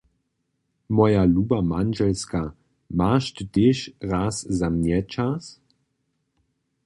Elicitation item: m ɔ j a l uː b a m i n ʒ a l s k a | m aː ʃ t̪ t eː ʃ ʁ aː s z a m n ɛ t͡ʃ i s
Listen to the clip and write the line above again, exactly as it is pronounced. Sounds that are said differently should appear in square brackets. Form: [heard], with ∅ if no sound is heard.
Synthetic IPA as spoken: m ɔ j a l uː b a m [a] n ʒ [ɛ] l s k a | m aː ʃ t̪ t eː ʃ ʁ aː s z a m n ɛ t͡ʃ [a] s